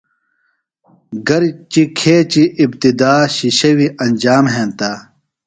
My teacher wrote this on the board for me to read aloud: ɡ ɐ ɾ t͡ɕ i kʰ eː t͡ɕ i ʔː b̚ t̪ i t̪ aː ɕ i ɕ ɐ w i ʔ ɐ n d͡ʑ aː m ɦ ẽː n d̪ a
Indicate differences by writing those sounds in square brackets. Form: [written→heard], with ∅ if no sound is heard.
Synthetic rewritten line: ɡ ɐ ɾ t͡ɕ i kʰ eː t͡ɕ i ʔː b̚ t̪ i [t̪→d̪] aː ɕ i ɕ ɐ w i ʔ ɐ n d͡ʑ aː m ɦ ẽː n [d̪→t̪] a